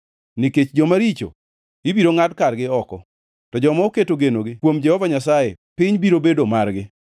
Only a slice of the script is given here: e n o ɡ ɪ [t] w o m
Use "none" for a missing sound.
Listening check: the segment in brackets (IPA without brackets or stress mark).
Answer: k